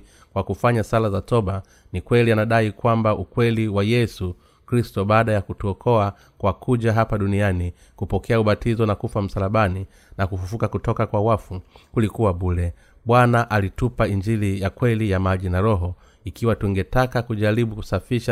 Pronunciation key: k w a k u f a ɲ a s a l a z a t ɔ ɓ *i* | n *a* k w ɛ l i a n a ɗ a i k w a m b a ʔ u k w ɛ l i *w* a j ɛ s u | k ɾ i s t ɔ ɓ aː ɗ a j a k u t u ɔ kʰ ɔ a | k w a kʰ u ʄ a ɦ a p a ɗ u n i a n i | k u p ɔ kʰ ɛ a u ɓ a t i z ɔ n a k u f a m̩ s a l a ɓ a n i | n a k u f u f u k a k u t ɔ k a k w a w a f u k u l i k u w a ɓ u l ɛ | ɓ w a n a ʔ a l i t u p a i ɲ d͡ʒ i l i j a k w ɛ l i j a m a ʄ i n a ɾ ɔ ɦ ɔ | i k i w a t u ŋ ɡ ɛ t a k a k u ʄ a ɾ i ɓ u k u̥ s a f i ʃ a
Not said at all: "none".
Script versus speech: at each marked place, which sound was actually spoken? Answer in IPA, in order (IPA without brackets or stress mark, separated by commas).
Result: a, i, w